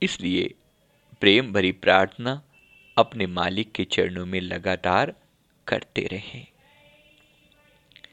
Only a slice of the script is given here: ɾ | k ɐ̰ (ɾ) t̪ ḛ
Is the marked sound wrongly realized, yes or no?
no